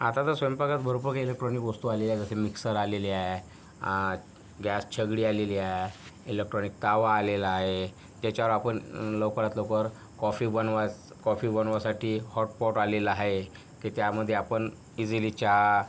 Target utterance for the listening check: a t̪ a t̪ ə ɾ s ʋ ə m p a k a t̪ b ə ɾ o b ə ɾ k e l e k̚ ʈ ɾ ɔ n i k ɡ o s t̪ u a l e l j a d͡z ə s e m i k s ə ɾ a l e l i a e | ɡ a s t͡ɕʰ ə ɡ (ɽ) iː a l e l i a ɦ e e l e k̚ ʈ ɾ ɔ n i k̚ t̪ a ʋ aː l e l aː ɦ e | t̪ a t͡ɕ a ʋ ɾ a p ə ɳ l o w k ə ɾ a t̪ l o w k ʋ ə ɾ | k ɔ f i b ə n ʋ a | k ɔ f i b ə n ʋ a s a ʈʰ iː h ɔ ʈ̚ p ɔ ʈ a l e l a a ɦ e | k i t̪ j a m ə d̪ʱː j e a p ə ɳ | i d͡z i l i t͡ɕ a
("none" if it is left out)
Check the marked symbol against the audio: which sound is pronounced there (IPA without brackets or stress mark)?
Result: ɽ